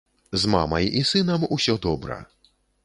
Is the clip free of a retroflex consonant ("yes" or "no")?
yes